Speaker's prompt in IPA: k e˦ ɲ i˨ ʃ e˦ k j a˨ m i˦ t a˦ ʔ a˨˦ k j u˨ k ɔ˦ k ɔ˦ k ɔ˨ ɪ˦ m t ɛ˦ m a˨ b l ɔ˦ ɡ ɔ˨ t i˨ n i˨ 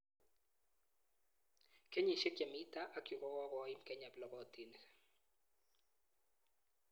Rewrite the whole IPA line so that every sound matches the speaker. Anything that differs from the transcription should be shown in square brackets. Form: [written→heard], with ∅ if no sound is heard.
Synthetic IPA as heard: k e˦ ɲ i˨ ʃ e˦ k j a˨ m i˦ t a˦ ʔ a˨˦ k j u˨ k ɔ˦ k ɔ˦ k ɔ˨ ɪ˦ m [t→k] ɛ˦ [m→ɲ] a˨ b l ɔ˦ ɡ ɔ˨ t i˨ n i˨